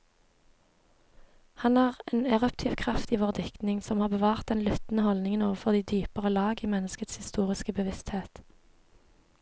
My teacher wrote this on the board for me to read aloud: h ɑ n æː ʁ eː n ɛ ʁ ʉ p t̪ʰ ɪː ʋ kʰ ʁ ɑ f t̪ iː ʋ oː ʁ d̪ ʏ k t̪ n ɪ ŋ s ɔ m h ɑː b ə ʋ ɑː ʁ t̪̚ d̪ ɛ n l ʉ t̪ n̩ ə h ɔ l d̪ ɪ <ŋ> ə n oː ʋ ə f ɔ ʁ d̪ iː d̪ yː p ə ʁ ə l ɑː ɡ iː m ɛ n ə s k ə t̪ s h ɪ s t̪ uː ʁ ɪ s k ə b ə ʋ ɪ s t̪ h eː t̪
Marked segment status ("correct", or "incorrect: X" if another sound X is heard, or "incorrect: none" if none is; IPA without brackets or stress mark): correct